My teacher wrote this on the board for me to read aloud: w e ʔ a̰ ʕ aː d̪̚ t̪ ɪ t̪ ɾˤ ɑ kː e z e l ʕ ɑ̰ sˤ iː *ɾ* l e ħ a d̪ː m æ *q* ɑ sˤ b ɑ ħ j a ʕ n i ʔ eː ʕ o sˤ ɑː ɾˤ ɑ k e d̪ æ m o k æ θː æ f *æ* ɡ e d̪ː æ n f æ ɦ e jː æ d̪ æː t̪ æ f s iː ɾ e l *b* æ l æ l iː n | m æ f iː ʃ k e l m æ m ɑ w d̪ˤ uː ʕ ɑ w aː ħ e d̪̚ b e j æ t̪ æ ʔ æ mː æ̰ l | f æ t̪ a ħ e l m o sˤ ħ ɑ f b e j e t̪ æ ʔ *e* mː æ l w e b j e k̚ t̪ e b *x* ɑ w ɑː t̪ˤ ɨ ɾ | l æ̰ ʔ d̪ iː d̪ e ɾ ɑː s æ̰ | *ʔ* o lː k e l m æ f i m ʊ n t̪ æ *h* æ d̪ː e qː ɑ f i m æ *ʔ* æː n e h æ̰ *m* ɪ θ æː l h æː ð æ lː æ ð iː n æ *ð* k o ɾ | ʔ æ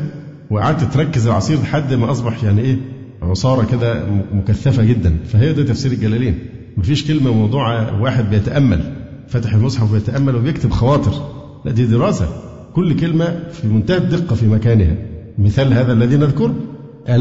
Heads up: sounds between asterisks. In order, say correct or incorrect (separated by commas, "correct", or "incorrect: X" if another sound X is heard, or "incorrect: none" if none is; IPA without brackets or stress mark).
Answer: correct, incorrect: ʔ, correct, incorrect: ɡ, incorrect: æ, correct, incorrect: k, correct, incorrect: k, correct, correct